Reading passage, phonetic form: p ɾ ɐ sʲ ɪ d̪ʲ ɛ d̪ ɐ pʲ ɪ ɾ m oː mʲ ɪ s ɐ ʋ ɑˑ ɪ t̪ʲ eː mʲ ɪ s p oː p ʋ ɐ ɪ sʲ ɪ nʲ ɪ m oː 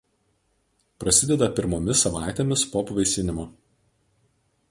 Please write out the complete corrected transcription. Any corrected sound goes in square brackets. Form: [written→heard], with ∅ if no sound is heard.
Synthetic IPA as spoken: p ɾ ɐ sʲ ɪ d̪ʲ ɛ d̪ ɐ pʲ ɪ ɾ m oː mʲ ɪ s ɐ ʋ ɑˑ ɪ t̪ʲ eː mʲ ɪ s p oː p ʋ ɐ ɪ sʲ ɪ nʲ ɪ m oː